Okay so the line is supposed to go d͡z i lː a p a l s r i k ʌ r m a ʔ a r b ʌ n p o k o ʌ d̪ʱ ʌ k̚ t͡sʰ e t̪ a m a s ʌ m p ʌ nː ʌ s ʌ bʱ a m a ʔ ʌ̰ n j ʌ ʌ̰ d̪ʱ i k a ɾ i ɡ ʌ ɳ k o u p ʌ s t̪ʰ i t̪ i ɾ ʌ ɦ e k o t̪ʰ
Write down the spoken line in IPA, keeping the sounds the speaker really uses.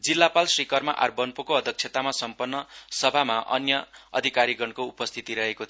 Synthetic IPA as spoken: d͡z i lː a p a l s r i k ʌ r m a ʔ a r b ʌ n p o k o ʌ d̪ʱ ʌ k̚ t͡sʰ e t̪ a m a s ʌ m p ʌ nː ʌ s ʌ bʱ a m a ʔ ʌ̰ n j ʌ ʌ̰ d̪ʱ i k a ɾ i ɡ ʌ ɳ k o u p ʌ s t̪ʰ i t̪ i ɾ ʌ ɦ e k o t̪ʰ